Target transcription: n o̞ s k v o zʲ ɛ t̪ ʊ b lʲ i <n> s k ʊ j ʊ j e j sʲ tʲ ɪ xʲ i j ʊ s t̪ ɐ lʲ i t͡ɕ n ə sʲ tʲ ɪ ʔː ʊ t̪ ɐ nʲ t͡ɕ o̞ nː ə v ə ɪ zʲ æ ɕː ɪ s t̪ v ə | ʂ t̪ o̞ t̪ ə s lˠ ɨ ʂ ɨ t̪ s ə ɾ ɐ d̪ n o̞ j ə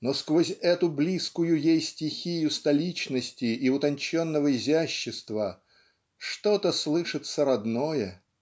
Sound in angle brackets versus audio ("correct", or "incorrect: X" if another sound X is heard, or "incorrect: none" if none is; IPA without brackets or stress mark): incorrect: none